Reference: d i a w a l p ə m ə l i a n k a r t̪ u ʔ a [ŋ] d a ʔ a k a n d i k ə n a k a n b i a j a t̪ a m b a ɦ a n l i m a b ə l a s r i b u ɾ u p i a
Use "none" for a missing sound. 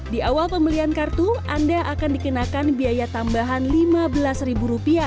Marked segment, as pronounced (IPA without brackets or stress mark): n